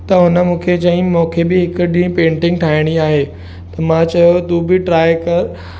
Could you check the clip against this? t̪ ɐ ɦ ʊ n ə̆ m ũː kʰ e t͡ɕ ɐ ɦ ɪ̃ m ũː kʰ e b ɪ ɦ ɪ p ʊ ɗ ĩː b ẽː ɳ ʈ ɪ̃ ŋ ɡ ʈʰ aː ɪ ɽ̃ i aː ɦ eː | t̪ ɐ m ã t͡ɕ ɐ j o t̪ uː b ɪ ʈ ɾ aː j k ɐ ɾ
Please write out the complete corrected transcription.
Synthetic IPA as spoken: t̪ ɐ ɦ ʊ n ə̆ m ũː kʰ e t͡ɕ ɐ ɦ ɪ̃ m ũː kʰ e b ɪ ɦ ɪ k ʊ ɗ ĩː p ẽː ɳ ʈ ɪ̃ ŋ ɡ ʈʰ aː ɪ ɽ̃ i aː ɦ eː | t̪ ɐ m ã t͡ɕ ɐ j o t̪ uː b ɪ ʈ ɾ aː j k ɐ ɾ